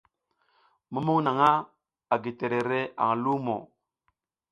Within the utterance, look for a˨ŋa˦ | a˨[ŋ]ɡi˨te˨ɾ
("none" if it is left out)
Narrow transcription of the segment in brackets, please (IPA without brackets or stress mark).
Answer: none